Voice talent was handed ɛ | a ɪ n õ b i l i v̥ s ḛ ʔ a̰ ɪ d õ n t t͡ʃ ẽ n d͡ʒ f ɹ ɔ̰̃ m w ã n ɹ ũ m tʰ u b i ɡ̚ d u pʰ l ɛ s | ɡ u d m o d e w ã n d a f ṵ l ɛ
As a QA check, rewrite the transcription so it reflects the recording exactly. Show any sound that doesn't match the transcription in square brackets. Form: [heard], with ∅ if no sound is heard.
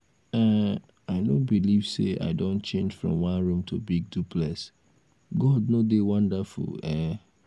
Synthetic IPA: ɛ | a ɪ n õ b i l i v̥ s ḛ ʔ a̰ ɪ d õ n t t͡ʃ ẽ n d͡ʒ f ɹ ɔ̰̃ m w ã n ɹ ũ m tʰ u b i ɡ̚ d u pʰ l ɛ s | ɡ [ɔ] d [n] o d e w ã n d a f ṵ l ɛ